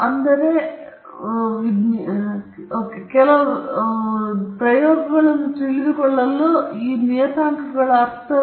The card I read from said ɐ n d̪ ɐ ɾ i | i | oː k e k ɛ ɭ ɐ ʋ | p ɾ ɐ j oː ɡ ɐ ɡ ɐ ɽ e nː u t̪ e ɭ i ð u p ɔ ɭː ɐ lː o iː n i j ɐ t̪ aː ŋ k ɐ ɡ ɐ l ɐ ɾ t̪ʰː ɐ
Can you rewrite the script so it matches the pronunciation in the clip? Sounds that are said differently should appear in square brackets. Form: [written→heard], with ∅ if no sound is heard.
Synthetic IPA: ɐ n d̪ ɐ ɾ [i→e] | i | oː k e k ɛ [ɭ→l] ɐ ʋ | p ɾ ɐ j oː ɡ ɐ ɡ ɐ [ɽ→ɭ] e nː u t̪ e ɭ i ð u [p→k] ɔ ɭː ɐ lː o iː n i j ɐ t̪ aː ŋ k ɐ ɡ ɐ [l→ɭ] ɐ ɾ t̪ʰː ɐ